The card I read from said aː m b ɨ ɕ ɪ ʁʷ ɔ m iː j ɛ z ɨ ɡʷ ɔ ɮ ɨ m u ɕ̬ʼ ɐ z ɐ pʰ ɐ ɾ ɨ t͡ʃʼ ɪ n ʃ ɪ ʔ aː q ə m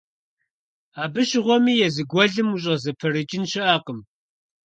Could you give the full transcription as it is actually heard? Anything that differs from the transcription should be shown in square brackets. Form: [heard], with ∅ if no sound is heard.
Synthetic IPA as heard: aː [∅] b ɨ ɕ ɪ ʁʷ ɔ m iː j ɛ z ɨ ɡʷ ɔ ɮ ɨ m u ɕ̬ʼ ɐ z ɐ pʰ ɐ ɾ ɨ t͡ʃʼ ɪ n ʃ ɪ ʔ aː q ə m